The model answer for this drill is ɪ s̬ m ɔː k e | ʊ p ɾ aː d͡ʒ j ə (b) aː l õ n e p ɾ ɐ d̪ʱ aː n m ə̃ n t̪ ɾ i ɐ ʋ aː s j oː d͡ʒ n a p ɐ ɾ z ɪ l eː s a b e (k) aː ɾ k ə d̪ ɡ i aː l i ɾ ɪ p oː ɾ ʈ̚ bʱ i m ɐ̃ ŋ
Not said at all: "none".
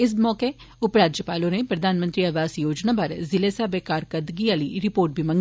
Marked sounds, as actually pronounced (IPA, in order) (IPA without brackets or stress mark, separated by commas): p, k